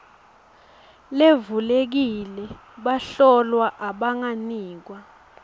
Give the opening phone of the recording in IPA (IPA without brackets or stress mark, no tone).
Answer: l